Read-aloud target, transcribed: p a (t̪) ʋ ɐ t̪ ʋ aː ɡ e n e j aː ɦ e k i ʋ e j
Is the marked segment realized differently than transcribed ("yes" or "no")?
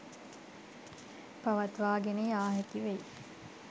yes